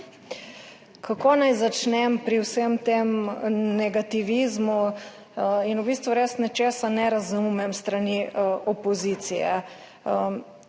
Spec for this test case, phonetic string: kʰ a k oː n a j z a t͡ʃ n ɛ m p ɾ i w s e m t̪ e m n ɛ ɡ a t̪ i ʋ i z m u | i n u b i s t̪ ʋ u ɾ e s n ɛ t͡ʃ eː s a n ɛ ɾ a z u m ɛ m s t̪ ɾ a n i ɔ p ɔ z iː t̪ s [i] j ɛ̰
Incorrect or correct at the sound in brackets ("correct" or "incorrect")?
correct